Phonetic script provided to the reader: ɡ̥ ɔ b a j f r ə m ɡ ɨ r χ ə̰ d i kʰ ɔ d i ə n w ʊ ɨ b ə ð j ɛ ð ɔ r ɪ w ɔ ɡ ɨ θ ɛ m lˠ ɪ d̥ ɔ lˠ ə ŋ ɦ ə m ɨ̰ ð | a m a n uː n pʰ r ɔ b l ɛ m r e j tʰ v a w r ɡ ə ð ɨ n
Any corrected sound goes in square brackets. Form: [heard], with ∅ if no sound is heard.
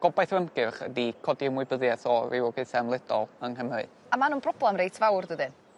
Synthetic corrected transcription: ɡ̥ ɔ b a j [θ] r ə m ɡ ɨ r χ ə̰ d i kʰ ɔ d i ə [m] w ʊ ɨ b ə ð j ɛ [θ] ɔ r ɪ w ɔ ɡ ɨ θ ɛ m lˠ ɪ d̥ ɔ lˠ ə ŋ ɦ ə m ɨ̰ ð | a m a n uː n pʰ r ɔ b l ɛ m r e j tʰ v a w r [d] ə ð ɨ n

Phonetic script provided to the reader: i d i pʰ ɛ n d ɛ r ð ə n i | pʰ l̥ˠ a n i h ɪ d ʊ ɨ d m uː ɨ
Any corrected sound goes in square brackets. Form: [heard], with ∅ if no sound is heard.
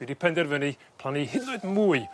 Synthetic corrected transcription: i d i pʰ ɛ n d ɛ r [v] ə n i | pʰ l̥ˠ a n i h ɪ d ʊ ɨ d m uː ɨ

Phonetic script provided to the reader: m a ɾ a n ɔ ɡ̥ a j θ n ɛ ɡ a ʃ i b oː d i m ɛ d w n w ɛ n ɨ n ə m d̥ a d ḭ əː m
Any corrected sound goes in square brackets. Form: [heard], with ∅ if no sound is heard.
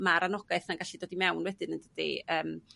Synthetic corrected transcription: m a ɾ a n ɔ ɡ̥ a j θ n [a] ɡ a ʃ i [d] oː d i m ɛ [∅] w n w ɛ [d] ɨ n ə [n] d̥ [ə] d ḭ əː m

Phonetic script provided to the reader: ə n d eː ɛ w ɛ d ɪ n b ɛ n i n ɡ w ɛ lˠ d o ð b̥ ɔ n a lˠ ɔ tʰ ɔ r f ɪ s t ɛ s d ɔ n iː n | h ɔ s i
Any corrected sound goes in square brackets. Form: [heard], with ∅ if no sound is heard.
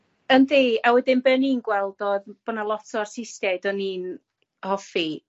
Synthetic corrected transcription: ə n d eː [a] w ɛ d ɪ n b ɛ n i n ɡ w ɛ lˠ d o ð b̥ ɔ n a lˠ ɔ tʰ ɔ r [s] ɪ s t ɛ [∅] d ɔ n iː n | h ɔ [f] i

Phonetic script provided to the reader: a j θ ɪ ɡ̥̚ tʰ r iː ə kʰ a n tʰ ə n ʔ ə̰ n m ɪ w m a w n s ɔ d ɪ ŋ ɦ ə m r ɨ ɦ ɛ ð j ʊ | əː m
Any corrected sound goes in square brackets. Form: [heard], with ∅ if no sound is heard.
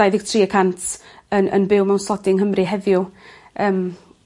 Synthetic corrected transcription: a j [ð] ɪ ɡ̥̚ tʰ r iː ə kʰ a n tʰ ə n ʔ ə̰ n [b] ɪ w m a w n s ɔ d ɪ ŋ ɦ ə m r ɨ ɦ ɛ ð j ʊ | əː m

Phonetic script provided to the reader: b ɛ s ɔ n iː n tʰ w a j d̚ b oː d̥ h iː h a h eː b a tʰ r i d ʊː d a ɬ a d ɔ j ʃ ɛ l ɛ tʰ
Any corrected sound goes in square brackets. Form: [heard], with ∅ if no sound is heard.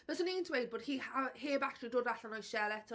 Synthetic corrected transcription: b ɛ s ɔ n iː n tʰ w [e] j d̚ b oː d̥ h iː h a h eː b a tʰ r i d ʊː d a ɬ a [n] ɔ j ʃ ɛ l ɛ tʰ

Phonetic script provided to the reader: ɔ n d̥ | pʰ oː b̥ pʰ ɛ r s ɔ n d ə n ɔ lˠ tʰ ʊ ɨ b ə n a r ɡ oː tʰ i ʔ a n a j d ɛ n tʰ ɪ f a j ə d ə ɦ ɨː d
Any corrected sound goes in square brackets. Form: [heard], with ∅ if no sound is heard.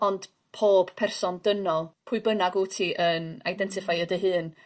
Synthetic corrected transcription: ɔ n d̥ | pʰ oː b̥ pʰ ɛ r s ɔ n d ə n ɔ lˠ [pʰ] ʊ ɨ b ə n a [∅] ɡ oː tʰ i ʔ [ə] n a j d ɛ n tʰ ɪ f a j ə d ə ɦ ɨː [n]

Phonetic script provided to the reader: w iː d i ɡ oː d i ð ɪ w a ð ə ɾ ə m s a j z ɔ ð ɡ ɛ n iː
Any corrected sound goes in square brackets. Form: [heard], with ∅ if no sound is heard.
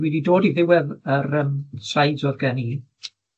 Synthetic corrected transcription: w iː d i [d] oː d i ð ɪ w [ɛ] ð ə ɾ ə m s a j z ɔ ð ɡ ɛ n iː

